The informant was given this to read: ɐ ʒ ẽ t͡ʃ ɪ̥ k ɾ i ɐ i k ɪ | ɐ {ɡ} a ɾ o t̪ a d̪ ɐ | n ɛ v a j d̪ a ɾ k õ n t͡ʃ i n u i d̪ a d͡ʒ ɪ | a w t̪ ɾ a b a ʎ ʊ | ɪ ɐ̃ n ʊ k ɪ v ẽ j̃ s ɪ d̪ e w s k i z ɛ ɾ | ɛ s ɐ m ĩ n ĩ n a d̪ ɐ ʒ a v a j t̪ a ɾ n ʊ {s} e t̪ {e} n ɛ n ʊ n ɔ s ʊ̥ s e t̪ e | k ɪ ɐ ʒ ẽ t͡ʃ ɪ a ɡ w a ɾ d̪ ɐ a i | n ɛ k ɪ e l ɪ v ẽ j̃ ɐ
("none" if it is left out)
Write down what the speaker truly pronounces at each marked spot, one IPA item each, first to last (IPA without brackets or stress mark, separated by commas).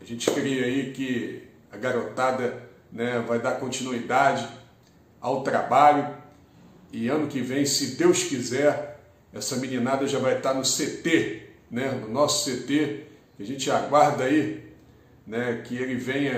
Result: ɡ, s, e